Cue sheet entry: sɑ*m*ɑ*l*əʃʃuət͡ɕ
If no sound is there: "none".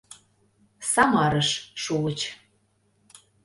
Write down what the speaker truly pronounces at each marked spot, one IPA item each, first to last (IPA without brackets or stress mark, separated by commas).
m, ɾ